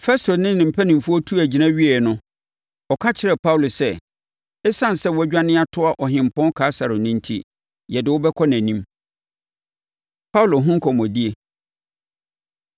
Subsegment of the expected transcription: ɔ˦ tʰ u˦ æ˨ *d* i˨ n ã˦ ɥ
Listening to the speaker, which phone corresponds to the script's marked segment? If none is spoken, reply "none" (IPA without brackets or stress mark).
d͡ʑ